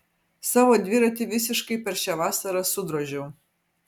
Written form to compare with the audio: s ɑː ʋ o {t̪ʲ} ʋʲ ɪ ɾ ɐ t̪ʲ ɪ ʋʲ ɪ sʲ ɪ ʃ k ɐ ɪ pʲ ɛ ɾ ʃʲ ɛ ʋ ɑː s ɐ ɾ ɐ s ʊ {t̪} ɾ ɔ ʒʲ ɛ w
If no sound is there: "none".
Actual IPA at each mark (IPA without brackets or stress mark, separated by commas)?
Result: d̪ʲ, d̪